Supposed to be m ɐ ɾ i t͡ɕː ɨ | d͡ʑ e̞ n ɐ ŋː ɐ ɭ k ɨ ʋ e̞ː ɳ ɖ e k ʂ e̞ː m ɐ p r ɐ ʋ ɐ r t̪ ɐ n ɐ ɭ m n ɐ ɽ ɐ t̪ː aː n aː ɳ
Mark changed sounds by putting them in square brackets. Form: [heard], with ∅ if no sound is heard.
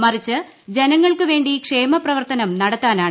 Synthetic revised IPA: m ɐ [r] i t͡ɕː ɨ | d͡ʑ e̞ n ɐ ŋː ɐ ɭ k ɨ ʋ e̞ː ɳ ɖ [i] k ʂ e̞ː m ɐ p r ɐ ʋ ɐ r t̪ ɐ n ɐ [∅] m n ɐ ɽ ɐ t̪ː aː n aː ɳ